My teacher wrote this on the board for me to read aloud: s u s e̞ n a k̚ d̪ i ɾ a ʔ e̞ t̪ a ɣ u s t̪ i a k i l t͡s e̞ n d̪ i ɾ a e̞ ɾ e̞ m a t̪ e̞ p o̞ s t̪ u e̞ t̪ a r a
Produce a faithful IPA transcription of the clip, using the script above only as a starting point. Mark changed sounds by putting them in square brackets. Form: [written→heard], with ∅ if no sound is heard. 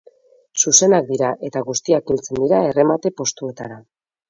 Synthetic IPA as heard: s u s e̞ n a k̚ d̪ i ɾ a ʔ e̞ t̪ a ɣ u s t̪ i a k i l t͡s e̞ n d̪ i ɾ a e̞ [ɾ→r] e̞ m a t̪ e̞ p o̞ s t̪ u e̞ t̪ a [r→ɾ] a